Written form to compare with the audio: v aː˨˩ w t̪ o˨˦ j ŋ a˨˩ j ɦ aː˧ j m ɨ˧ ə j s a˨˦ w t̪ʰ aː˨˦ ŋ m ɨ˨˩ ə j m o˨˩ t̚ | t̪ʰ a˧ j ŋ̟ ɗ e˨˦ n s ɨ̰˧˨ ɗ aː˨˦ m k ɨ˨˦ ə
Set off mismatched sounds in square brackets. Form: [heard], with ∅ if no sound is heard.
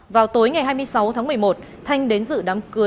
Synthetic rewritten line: v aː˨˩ w t̪ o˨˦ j ŋ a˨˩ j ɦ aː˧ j m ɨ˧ ə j s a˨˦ w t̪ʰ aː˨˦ ŋ m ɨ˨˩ ə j m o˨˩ t̚ | t̪ʰ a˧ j ŋ̟ ɗ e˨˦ n [z] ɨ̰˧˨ ɗ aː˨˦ m k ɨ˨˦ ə